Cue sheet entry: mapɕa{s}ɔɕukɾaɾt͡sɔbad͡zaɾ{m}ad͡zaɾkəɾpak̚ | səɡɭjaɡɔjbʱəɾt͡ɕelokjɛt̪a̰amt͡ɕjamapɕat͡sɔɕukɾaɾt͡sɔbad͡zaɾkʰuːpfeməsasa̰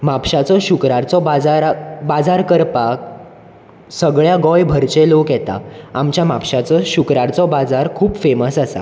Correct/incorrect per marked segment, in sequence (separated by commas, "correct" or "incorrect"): incorrect, incorrect